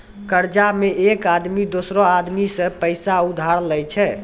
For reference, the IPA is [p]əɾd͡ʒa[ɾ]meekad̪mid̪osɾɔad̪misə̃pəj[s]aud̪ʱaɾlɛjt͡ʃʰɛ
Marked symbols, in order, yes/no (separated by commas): no, no, yes